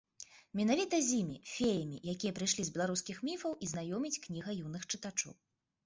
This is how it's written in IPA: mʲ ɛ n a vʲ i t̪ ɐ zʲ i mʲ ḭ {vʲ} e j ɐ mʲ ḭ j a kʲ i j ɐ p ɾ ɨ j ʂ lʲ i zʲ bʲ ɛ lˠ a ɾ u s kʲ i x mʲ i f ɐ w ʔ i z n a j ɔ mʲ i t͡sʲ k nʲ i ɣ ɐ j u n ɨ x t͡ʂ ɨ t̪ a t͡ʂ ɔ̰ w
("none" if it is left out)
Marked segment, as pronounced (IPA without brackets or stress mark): fʲ